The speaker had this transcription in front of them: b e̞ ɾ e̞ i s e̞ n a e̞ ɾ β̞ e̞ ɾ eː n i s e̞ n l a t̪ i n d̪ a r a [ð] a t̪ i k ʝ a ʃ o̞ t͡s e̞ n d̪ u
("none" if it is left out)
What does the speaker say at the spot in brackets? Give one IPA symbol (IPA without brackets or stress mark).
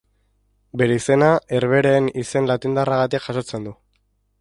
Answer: ɣ